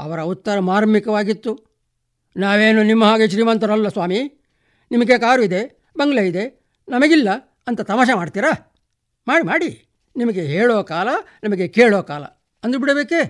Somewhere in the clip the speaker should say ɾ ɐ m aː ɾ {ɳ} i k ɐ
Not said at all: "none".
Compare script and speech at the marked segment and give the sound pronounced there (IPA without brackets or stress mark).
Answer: m